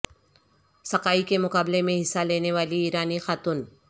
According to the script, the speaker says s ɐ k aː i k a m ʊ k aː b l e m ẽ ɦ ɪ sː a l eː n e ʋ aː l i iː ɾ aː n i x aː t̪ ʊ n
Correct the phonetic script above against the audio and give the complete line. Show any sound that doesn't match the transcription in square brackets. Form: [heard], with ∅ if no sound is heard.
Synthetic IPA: s ɐ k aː i k [e] m ʊ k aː b l e m ẽ ɦ ɪ sː a l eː n e ʋ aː l i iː ɾ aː n i x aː t̪ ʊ n